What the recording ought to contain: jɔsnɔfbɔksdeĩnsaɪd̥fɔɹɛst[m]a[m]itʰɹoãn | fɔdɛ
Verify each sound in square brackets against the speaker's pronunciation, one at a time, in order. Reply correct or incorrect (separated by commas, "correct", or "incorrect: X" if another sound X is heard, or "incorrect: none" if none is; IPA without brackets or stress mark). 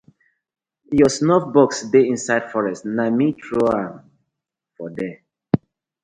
incorrect: n, correct